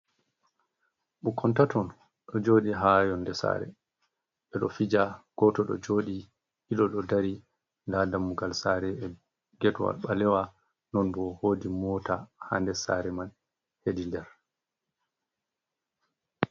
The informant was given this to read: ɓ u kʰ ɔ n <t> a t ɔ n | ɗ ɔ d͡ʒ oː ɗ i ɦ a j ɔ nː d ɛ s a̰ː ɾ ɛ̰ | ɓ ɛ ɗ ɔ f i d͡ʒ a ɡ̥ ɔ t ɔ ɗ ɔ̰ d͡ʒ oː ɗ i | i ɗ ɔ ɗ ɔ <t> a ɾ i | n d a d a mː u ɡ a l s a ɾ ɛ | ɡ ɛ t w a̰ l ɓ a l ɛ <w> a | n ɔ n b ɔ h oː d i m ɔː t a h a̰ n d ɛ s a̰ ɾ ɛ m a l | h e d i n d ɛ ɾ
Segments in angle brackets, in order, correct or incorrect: correct, incorrect: d, correct

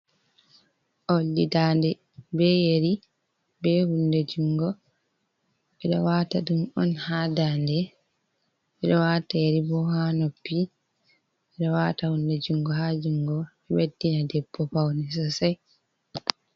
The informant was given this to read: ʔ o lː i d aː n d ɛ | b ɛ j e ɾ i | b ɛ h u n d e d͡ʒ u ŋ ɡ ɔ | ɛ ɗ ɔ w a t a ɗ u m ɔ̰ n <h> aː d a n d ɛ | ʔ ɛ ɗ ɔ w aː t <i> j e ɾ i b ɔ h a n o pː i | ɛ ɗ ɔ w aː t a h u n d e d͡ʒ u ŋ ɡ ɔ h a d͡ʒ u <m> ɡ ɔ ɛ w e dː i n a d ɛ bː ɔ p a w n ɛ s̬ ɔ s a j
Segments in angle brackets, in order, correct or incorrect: correct, incorrect: a, incorrect: ŋ

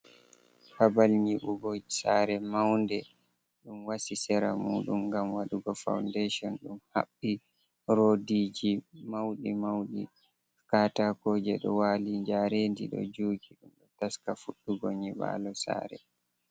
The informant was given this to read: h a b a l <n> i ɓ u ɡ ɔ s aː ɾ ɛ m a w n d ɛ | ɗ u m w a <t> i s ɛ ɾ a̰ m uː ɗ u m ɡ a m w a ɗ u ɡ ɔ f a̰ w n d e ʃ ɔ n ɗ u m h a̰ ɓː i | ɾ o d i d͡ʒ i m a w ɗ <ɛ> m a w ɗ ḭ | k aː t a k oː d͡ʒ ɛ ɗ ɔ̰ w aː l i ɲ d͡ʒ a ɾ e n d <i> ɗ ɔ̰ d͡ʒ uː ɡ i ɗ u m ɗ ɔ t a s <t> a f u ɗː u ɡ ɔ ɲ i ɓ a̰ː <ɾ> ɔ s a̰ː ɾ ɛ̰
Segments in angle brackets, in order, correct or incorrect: incorrect: ɲ, incorrect: s, incorrect: i, correct, incorrect: k, incorrect: l

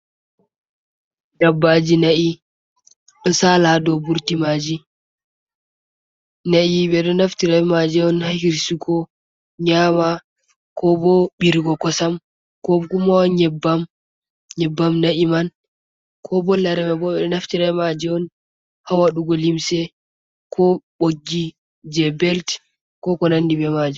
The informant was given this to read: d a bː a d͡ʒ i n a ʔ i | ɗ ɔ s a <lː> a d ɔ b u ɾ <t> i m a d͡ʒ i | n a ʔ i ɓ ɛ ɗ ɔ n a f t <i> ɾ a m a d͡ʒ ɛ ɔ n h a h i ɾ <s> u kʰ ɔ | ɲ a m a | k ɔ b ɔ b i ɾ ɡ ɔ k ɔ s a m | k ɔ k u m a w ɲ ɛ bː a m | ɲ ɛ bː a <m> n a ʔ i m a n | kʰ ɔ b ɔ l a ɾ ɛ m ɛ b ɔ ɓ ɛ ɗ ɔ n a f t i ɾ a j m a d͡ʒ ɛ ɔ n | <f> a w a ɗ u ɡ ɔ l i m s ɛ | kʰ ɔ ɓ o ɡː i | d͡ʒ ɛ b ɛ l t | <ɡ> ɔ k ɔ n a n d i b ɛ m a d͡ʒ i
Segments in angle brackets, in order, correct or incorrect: incorrect: l, correct, correct, correct, correct, incorrect: h, incorrect: k

